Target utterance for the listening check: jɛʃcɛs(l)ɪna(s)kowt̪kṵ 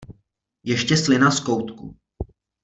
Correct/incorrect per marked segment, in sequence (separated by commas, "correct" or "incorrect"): correct, correct